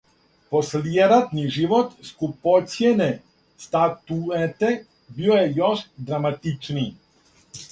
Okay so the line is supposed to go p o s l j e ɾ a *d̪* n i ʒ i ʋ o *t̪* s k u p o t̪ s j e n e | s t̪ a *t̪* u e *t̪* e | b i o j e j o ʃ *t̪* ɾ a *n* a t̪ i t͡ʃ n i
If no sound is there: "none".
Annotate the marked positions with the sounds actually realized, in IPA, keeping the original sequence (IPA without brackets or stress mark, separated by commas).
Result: t̪, t̪, t̪, t̪, d̪, m